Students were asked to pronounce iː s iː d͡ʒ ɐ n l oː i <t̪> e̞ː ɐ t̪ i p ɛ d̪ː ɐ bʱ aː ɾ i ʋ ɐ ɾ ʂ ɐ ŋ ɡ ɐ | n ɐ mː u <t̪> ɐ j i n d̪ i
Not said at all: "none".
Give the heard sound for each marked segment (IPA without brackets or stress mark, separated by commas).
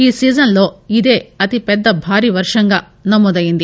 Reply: d̪, d̪